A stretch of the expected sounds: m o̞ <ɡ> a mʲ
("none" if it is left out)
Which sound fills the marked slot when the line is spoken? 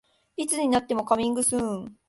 k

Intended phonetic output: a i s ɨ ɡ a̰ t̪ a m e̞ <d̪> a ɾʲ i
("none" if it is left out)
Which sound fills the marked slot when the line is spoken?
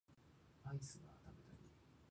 t̪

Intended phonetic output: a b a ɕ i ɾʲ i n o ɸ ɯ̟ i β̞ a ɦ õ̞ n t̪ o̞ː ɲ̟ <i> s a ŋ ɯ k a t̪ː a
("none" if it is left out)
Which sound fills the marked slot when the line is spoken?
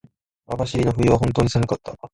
i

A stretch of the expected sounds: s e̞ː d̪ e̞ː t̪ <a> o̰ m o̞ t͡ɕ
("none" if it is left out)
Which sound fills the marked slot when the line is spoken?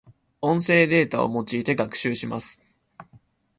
a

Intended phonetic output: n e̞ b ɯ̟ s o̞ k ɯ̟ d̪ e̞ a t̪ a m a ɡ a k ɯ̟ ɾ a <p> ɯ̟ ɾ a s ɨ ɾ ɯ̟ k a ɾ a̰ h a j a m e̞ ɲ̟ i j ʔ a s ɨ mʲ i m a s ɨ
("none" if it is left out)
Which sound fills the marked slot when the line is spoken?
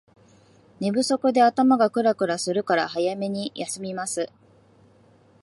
k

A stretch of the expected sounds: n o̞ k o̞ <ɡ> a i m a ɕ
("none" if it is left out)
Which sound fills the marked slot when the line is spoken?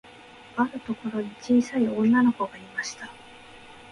ɡ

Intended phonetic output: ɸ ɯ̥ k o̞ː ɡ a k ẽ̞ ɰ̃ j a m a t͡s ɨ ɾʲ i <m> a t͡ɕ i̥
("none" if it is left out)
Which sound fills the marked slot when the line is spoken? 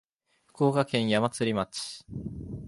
m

